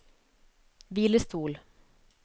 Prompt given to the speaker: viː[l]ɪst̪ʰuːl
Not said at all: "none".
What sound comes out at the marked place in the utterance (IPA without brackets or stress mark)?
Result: l